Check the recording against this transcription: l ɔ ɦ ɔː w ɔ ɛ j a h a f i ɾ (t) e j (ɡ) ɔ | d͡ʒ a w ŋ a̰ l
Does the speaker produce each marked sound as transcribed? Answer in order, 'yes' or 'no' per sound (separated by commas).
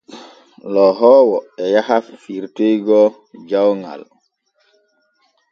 yes, yes